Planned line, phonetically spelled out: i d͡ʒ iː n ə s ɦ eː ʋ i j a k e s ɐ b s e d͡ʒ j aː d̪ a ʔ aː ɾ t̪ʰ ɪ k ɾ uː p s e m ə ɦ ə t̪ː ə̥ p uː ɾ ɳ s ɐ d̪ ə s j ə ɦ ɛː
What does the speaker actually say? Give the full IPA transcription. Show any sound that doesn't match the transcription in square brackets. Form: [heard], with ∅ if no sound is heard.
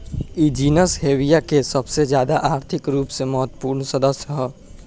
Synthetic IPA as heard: i d͡ʒ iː n ə s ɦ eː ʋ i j a k e s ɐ b s e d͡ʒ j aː d̪ a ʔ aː ɾ t̪ʰ ɪ k ɾ uː p s e m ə ɦ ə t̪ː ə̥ p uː ɾ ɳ s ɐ d̪ ə s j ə ɦ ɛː